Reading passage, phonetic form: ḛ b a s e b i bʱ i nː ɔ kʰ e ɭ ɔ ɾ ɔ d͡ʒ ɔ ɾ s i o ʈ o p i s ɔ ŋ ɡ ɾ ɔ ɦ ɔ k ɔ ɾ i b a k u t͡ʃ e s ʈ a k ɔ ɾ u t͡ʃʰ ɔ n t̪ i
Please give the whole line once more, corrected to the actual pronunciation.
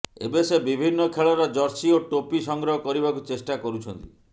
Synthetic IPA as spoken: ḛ b e s e b i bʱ i nː ɔ kʰ e ɭ ɔ ɾ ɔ d͡ʒ ɔ ɾ s i o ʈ o p i s ɔ ŋ ɡ ɾ ɔ ɦ ɔ k ɔ ɾ i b a k u t͡ʃ e s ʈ a k ɔ ɾ u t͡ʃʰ ɔ n t̪ i